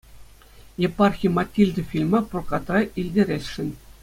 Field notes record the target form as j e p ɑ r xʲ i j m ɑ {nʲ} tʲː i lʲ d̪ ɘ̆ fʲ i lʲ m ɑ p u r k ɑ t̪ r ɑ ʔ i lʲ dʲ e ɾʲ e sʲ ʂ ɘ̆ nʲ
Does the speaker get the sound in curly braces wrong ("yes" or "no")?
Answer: yes